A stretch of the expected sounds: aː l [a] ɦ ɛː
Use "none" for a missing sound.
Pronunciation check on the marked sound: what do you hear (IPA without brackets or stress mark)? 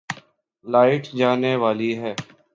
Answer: i